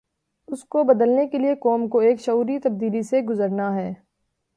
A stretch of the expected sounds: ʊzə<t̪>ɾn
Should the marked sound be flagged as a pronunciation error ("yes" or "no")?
yes